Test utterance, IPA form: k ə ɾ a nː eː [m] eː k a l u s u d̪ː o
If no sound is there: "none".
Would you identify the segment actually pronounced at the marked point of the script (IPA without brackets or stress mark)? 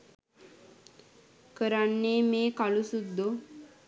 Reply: m